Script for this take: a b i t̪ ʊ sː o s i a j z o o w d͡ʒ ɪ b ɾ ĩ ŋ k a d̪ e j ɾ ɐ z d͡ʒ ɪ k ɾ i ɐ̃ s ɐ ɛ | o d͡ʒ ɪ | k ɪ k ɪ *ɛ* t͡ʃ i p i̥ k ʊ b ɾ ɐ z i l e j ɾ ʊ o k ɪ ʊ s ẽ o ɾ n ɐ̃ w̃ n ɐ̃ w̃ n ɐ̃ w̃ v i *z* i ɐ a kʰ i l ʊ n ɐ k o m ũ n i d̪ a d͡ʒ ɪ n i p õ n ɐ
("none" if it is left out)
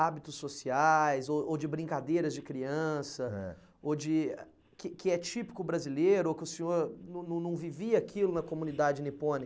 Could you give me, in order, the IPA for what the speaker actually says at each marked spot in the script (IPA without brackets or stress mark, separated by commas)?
ɛ, v